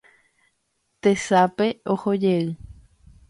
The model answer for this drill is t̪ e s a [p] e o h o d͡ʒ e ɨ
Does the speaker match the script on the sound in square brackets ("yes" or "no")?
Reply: yes